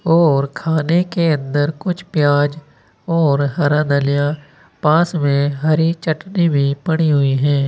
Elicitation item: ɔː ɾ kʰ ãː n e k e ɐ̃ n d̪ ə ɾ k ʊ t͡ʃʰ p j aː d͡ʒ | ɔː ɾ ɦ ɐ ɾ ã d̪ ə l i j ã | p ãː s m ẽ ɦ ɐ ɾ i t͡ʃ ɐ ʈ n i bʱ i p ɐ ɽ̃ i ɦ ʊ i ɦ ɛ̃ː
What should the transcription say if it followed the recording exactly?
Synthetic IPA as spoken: ɔː ɾ kʰ aː n e k e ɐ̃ n d̪ ə ɾ k ʊ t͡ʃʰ p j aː d͡ʒ | ɔː ɾ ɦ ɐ ɾ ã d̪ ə l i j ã | p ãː s m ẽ ɦ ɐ ɾ i t͡ʃ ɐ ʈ n i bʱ i p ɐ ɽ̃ i ɦ ʊ i ɦ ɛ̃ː